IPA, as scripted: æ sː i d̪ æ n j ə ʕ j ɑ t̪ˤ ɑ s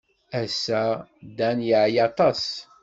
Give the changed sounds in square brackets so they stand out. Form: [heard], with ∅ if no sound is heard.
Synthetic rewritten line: æ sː [æ] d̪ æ n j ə ʕ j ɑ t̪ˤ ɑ s